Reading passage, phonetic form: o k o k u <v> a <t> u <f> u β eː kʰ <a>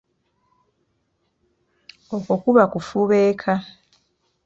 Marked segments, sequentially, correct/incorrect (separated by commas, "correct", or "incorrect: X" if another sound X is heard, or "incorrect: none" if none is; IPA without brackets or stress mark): incorrect: β, incorrect: k, correct, correct